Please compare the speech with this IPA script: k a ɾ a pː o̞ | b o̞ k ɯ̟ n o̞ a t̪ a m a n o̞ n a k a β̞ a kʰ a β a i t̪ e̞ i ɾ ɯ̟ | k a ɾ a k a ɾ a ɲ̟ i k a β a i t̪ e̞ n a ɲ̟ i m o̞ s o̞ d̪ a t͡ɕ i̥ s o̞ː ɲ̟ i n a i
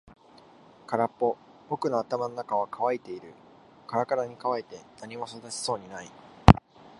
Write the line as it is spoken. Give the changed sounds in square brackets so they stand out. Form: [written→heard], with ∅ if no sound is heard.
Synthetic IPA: k a ɾ a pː o̞ | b o̞ k ɯ̟ n o̞ a t̪ a m a n o̞ n a k a β̞ a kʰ a β a i t̪ e̞ i ɾ ɯ̟ | k a ɾ a k a ɾ a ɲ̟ i k a β a i t̪ e̞ n a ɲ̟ i m o̞ s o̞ d̪ a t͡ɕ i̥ s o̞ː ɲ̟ i n a i